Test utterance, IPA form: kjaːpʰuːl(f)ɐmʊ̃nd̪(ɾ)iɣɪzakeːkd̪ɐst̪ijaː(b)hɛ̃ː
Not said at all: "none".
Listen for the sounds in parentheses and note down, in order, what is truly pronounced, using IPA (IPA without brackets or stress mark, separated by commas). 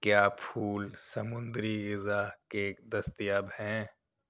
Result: s, ɾ, b